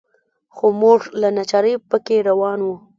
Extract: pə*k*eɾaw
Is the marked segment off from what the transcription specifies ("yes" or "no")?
no